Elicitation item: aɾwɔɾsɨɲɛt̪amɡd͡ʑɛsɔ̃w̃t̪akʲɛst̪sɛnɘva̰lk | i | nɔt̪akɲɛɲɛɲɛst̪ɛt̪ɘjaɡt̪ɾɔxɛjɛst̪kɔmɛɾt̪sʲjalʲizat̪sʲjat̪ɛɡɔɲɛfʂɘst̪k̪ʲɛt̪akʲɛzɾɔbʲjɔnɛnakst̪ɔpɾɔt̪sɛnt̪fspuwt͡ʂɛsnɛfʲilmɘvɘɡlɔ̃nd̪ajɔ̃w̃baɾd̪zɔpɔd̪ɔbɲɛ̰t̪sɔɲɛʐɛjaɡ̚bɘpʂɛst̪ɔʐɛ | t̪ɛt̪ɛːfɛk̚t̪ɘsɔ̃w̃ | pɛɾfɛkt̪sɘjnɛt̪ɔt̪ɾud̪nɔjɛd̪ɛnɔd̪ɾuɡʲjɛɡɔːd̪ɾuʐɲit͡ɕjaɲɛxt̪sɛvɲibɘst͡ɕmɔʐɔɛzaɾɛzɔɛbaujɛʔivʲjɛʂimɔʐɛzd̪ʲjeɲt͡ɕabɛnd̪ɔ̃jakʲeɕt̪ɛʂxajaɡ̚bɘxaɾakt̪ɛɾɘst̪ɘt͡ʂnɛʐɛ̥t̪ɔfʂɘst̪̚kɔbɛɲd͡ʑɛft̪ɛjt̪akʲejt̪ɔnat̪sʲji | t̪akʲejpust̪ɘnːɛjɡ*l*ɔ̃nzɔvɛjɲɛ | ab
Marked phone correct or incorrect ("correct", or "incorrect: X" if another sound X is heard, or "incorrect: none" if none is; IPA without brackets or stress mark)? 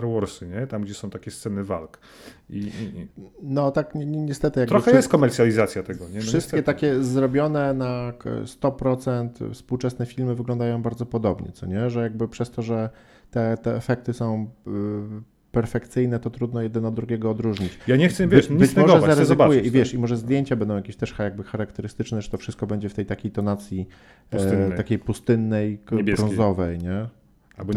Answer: incorrect: ɾ